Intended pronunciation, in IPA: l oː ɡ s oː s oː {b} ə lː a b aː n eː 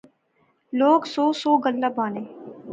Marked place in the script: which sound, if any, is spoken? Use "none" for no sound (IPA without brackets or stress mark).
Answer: ɡ